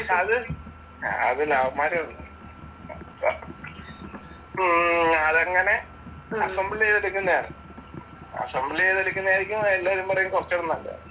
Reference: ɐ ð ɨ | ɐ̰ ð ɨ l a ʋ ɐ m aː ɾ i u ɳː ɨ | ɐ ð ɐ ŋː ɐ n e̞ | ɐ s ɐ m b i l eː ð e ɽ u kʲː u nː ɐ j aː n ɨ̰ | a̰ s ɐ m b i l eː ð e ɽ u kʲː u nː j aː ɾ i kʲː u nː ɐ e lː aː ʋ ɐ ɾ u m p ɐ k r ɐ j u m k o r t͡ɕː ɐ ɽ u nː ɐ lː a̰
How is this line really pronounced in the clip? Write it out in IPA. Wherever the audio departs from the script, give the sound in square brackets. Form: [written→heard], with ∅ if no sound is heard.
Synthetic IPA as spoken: ɐ ð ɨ | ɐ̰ ð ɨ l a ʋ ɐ m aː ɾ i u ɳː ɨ | ɐ ð ɐ ŋː ɐ n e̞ | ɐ s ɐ m b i l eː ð e ɽ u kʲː u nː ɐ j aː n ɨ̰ | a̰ s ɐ m b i l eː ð e ɽ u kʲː u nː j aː ɾ i kʲː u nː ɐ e lː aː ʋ ɐ ɾ u m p ɐ [k→∅] r ɐ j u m k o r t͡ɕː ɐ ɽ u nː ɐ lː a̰